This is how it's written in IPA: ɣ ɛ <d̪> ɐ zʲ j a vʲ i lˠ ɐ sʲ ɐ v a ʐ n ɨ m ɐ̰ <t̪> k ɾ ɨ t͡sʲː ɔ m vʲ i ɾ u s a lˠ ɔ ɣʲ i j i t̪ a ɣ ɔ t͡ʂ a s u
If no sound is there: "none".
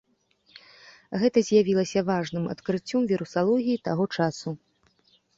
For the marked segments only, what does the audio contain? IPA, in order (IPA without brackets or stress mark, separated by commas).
t̪, t̪